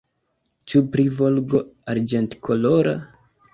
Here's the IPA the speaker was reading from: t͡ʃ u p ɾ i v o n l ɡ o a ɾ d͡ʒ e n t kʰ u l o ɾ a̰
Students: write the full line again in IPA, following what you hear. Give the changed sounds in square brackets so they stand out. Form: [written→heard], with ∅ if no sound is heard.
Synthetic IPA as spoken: t͡ʃ u p ɾ i v o [n→∅] l ɡ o a ɾ d͡ʒ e n t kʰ [u→o] l o ɾ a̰